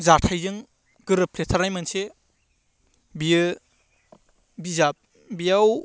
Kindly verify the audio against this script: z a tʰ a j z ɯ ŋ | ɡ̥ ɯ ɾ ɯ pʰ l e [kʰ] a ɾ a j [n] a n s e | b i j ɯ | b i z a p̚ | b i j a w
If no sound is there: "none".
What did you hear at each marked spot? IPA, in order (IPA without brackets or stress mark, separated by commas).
tʰ, m